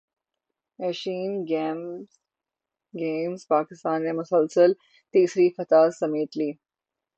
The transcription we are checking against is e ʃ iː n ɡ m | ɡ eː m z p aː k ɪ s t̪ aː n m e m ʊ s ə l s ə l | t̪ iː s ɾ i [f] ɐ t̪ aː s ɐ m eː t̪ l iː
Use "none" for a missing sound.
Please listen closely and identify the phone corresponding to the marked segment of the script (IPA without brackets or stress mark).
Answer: f